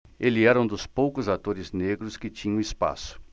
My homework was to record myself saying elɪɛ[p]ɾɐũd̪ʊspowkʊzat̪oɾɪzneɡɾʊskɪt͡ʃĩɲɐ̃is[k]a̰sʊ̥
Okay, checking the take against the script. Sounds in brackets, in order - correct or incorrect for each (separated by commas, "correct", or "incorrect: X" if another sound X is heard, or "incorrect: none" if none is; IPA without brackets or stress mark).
incorrect: none, incorrect: p